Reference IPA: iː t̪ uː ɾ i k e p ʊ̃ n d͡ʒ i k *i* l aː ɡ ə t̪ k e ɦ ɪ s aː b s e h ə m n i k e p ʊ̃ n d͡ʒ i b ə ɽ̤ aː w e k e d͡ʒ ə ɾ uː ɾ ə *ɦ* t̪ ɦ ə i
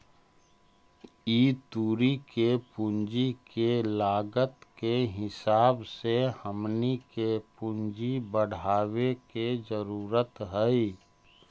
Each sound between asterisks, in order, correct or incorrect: incorrect: e, incorrect: none

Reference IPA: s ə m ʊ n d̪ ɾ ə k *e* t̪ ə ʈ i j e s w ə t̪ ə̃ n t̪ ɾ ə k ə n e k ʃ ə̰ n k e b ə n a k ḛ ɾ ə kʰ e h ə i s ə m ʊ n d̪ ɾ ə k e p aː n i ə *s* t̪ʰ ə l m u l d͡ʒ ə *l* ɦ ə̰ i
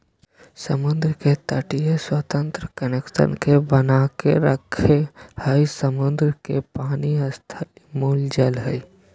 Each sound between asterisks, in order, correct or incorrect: correct, correct, correct

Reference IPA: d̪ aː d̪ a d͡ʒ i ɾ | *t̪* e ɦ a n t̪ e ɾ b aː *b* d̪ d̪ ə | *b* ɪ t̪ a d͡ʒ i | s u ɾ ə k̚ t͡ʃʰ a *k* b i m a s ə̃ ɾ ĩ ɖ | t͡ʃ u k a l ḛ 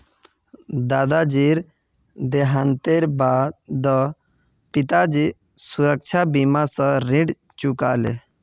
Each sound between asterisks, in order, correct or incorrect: incorrect: d̪, incorrect: none, incorrect: p, incorrect: none

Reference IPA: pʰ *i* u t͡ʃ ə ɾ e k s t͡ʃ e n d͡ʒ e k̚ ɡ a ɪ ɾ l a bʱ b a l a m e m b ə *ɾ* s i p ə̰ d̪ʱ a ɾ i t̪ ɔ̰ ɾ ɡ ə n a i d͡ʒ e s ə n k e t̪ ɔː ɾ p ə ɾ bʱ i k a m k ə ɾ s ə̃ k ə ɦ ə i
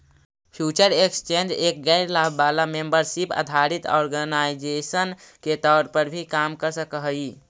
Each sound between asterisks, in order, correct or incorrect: incorrect: j, correct

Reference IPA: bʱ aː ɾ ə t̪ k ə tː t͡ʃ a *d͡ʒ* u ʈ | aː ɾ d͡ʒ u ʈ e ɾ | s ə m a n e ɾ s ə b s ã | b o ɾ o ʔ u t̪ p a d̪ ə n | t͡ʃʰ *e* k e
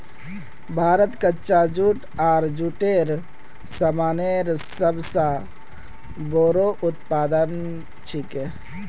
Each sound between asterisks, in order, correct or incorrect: correct, incorrect: i

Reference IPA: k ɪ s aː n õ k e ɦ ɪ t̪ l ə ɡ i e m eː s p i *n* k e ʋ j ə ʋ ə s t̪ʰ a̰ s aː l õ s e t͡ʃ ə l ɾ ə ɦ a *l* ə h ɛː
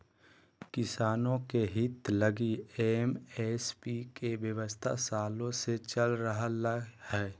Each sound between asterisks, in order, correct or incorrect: incorrect: none, correct

